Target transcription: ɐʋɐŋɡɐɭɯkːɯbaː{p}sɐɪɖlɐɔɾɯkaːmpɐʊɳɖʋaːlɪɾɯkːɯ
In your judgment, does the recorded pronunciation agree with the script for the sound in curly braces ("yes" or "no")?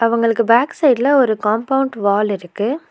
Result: no